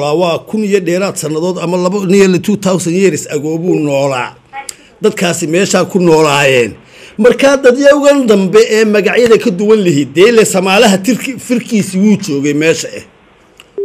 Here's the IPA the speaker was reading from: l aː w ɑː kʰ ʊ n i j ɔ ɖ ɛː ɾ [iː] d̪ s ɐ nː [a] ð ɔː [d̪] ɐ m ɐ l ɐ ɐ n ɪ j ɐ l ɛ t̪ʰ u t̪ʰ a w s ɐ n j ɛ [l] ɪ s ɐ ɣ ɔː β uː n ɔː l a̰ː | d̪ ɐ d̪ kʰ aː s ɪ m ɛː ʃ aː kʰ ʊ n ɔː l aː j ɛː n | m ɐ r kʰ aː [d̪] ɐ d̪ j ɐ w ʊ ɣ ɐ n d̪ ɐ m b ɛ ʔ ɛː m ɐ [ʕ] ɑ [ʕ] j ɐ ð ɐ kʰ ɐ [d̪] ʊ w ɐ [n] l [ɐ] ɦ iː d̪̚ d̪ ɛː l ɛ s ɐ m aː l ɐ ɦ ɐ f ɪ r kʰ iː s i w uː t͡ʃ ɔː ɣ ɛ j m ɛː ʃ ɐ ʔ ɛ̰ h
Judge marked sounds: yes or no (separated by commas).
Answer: no, no, yes, no, yes, no, yes, yes, yes, yes